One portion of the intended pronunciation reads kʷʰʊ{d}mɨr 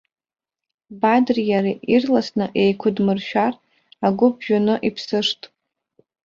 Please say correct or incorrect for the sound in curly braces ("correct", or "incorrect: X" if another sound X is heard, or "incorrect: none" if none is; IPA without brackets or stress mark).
correct